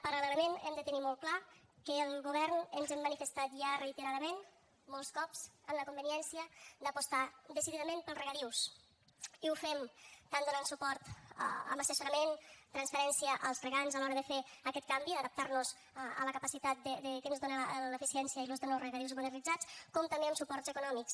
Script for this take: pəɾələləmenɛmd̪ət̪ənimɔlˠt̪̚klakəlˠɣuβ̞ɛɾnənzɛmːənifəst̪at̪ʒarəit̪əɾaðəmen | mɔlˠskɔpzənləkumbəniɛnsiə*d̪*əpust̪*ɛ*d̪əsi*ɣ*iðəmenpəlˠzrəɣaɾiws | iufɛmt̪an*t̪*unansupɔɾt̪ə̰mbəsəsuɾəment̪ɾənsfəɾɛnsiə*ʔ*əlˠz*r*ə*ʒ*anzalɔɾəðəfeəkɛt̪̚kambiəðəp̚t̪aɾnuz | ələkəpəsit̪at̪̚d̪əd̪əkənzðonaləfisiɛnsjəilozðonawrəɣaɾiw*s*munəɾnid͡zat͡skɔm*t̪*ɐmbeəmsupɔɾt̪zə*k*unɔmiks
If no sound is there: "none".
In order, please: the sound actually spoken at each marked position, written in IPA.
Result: d̪, a, ð, d̪, ʔ, r, ɣ, z, t̪, k

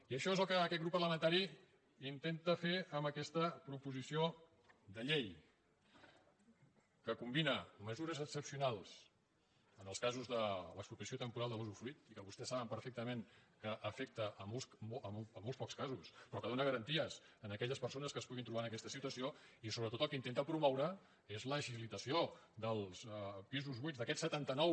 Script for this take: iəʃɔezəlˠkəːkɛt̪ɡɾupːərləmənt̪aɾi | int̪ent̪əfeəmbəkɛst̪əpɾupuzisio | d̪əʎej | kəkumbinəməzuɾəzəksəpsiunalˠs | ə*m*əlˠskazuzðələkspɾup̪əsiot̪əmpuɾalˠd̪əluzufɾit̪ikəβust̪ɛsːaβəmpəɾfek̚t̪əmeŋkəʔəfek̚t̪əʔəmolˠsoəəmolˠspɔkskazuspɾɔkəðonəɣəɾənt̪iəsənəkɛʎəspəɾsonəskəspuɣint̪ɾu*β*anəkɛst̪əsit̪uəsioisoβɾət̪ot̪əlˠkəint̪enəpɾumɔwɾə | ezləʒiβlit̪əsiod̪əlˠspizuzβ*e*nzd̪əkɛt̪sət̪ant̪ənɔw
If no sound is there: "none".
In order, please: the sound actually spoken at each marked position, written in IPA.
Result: n, β, i

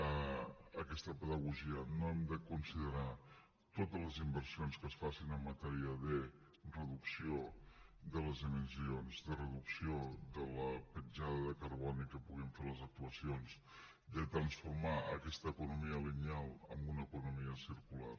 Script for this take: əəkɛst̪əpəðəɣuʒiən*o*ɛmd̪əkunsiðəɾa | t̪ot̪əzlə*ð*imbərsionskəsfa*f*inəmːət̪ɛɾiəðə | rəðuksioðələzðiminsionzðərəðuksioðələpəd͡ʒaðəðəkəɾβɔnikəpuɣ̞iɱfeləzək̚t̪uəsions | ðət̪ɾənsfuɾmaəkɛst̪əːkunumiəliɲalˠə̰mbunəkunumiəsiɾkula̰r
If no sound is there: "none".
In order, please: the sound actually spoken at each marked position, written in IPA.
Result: o, z, s

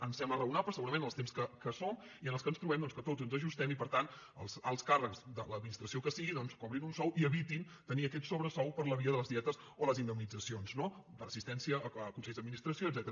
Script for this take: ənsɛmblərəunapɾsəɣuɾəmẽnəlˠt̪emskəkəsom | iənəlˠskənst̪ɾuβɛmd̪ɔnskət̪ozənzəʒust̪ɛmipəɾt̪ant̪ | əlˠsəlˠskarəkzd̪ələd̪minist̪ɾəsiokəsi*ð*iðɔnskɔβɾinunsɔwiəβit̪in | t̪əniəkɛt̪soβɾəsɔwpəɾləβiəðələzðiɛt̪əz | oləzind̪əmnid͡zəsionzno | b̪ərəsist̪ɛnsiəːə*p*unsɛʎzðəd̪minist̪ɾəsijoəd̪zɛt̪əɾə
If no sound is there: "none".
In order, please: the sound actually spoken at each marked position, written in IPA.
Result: ɣ, k

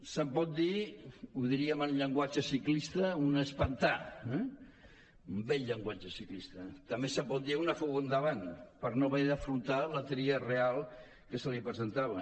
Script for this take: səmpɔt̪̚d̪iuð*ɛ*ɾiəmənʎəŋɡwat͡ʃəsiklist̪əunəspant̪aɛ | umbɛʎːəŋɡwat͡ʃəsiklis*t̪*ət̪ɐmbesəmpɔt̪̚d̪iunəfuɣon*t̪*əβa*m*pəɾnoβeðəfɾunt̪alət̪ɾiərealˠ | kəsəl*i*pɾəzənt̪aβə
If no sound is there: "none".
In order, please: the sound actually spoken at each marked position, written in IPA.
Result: i, t̪, d̪, n, i

